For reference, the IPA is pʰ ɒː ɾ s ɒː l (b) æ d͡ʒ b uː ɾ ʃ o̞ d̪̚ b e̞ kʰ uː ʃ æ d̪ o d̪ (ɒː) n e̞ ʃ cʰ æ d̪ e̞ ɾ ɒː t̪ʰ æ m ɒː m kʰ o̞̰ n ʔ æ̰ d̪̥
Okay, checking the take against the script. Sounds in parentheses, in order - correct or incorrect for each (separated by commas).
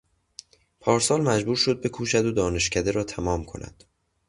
incorrect, correct